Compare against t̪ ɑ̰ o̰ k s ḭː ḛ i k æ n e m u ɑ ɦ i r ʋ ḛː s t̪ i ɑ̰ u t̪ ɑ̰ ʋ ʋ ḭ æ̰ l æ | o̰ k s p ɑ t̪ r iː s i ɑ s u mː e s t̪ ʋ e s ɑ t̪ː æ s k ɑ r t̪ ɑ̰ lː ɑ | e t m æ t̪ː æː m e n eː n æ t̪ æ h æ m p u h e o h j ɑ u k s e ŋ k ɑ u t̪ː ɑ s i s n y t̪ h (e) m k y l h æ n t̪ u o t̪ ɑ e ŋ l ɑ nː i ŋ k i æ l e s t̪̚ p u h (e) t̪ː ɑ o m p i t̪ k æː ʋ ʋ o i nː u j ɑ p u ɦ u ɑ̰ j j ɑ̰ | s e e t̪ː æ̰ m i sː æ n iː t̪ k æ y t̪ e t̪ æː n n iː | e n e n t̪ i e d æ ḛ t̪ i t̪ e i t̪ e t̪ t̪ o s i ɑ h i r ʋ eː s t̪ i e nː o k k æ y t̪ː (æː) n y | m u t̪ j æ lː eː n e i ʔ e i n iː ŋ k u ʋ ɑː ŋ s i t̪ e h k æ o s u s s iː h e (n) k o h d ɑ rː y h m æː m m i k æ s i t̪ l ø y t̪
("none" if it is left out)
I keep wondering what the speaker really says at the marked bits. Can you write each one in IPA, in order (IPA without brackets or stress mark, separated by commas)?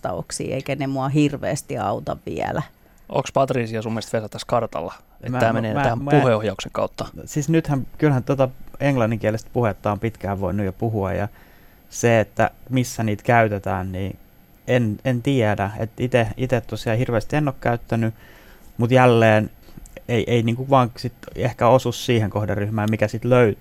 æ, e, æ, ŋ